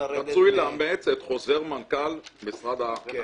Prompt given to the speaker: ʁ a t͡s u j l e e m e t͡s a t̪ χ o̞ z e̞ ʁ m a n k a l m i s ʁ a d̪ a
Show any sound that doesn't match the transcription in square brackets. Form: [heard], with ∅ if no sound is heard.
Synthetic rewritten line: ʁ a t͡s u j l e [a] m e t͡s [e] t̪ χ o̞ z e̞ ʁ m a n k a l m i s ʁ a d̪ a